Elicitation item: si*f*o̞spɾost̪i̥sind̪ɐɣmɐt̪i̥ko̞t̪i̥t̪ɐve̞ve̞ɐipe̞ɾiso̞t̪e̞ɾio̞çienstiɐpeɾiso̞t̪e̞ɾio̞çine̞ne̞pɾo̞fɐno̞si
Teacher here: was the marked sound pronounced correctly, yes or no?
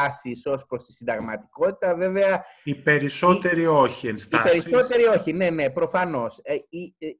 no